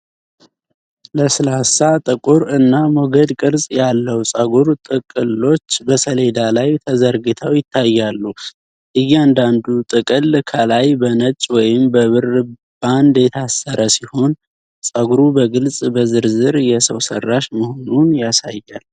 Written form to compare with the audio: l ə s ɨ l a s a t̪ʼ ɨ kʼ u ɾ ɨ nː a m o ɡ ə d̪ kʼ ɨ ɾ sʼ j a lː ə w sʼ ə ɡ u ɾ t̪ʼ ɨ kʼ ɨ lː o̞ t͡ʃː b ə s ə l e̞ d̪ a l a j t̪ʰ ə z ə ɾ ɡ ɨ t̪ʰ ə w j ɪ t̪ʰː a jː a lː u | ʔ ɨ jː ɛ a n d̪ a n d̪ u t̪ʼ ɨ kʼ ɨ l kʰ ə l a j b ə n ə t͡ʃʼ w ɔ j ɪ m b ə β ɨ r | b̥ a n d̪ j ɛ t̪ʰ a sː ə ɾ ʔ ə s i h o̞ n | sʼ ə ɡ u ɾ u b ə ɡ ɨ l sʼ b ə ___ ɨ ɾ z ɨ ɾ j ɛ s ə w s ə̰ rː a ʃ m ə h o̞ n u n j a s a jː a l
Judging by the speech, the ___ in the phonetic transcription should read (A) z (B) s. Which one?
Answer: A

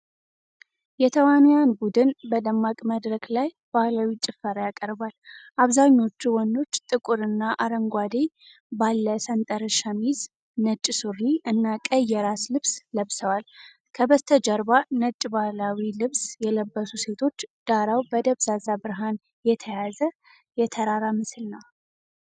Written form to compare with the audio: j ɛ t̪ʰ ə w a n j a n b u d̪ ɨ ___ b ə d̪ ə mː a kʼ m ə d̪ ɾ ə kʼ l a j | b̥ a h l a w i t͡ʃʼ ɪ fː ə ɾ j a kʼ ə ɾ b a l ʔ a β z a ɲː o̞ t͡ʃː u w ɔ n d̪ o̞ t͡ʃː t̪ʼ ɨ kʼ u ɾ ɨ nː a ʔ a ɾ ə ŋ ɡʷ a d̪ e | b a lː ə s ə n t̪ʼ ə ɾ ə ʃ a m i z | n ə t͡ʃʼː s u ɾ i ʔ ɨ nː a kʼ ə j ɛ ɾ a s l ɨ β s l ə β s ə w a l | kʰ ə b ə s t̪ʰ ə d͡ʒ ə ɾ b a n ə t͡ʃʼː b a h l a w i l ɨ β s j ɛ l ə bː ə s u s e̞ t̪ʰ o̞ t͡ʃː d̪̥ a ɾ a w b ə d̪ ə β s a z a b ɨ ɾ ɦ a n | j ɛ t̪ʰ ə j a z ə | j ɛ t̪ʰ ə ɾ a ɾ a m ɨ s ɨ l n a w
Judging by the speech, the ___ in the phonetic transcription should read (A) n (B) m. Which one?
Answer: A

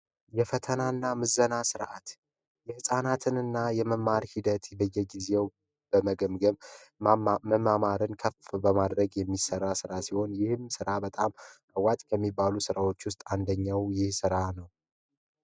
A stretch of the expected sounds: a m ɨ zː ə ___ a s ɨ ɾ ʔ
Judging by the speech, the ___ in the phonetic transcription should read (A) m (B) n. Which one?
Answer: B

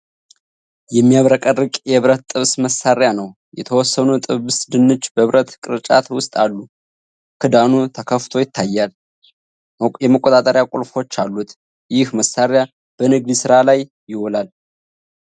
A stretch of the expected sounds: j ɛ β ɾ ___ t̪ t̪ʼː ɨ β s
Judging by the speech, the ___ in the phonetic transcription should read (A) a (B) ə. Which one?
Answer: B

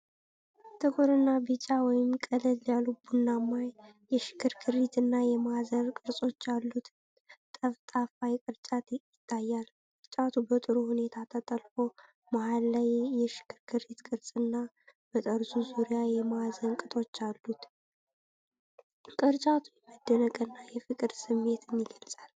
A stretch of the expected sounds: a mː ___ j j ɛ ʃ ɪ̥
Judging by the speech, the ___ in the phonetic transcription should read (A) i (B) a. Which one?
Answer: B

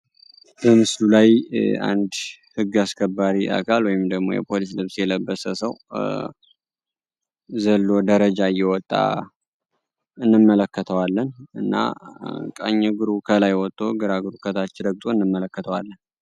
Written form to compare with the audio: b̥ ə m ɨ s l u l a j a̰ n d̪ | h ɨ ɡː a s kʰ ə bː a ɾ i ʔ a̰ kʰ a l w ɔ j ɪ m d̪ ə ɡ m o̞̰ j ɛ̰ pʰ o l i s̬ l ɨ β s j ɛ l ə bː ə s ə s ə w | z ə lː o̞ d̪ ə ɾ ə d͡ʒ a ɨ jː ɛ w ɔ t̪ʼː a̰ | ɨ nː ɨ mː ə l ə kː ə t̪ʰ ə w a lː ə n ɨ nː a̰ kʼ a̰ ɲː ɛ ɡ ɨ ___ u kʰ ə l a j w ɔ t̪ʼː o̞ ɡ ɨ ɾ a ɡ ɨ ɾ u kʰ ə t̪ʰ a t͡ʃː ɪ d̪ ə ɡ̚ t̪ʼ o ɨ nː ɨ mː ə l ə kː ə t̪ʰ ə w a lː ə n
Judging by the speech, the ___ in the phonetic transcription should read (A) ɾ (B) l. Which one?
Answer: A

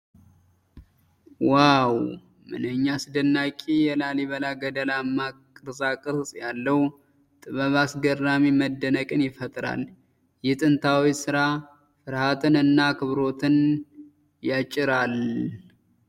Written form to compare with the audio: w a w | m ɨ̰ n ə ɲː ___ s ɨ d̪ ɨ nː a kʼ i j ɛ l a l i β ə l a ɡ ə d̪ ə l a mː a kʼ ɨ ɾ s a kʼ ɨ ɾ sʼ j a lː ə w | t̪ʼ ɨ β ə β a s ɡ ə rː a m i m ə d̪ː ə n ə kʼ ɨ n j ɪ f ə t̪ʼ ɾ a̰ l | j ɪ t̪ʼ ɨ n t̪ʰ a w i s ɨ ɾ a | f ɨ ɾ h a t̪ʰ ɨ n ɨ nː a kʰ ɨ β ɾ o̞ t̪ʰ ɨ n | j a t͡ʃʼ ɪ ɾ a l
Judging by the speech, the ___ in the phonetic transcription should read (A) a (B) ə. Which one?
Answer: A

